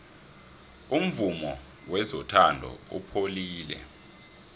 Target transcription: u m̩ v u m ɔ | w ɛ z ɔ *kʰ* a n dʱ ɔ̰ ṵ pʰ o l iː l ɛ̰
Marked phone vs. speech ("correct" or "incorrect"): incorrect